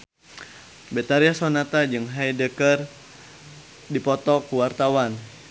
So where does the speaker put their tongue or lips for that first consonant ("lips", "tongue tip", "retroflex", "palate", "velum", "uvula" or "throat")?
lips